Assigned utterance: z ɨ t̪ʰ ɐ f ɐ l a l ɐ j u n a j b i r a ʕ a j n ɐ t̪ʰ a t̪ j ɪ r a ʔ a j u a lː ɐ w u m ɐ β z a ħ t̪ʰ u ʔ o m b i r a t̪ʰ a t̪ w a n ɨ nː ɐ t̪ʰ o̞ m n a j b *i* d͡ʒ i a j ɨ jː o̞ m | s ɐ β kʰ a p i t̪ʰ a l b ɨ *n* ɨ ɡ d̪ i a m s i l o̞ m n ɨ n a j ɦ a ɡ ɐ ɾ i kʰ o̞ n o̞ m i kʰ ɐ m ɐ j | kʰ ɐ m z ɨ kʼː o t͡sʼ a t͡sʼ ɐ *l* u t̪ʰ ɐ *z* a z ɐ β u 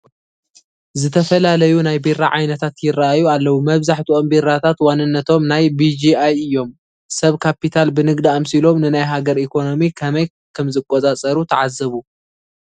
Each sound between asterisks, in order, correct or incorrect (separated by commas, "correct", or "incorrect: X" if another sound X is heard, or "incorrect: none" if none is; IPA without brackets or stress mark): correct, correct, incorrect: ɾ, incorrect: ʕ